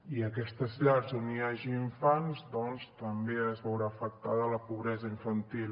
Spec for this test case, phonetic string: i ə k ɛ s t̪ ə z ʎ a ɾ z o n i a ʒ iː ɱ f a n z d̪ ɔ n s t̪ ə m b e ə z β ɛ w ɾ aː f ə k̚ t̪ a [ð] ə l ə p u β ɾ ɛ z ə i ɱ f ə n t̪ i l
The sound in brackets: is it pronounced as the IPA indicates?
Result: yes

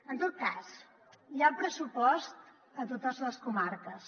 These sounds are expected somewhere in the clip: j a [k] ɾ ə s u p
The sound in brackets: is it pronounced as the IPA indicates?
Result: no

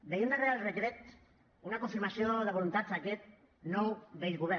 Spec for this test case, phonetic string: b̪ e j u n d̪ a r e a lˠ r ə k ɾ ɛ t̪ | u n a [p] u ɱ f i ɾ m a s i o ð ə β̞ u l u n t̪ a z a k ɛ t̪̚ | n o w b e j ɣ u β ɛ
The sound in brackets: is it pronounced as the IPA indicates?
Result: no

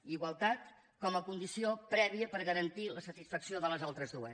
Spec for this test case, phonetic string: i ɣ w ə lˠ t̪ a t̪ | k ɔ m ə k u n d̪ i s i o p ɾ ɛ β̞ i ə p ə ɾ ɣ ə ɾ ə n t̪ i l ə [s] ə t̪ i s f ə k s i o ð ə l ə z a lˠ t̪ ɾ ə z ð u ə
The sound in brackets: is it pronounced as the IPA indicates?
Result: yes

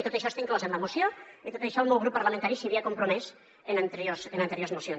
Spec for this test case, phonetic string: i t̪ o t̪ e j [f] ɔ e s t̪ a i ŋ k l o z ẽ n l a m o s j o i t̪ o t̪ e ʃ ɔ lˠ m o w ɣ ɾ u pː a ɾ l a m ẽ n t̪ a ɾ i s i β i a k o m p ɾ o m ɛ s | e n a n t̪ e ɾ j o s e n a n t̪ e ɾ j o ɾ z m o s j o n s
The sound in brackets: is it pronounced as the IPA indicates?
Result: no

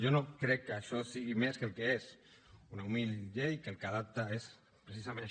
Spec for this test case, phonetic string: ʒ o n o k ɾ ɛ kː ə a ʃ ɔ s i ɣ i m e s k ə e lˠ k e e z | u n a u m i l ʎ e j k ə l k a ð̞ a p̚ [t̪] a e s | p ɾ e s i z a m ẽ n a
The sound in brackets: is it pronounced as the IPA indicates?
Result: yes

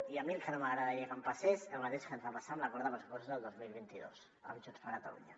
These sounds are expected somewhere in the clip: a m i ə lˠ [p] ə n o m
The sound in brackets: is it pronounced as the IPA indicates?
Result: no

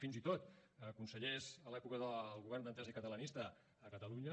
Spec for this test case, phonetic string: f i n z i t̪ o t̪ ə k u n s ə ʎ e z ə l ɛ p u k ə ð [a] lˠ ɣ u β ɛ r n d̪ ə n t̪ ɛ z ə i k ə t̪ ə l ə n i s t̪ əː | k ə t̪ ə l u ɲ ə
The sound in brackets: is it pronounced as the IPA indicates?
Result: no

